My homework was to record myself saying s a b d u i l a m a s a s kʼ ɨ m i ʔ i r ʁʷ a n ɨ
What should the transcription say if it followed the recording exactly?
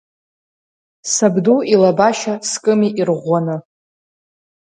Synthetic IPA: s a b d u i l a b a ʃ a s kʼ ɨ m i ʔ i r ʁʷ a n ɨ